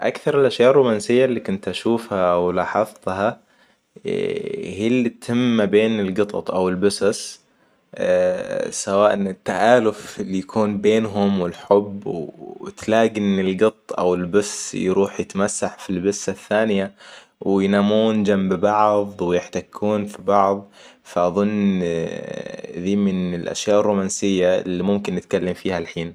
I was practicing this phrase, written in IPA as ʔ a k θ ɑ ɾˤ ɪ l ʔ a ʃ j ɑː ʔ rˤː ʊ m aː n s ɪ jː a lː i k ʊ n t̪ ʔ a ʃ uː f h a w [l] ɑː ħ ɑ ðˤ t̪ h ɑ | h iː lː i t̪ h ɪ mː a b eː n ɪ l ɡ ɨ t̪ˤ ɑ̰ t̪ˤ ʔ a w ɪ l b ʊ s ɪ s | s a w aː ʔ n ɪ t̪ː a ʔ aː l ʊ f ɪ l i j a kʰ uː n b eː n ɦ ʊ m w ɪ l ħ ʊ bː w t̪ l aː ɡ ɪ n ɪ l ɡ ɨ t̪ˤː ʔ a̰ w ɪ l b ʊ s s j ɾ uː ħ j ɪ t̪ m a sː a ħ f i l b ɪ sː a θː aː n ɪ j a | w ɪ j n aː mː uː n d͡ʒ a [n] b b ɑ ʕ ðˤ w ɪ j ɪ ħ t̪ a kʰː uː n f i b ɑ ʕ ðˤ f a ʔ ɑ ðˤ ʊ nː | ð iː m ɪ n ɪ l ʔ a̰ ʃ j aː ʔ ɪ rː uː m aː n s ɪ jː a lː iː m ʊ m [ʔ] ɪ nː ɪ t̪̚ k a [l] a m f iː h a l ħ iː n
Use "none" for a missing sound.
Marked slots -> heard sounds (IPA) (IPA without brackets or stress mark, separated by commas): l, m, k, lː